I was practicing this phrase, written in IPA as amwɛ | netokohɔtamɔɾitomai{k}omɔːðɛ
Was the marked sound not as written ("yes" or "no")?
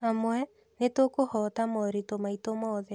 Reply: yes